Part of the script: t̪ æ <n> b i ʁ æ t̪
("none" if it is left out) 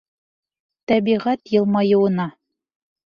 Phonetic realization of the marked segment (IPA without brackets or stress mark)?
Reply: none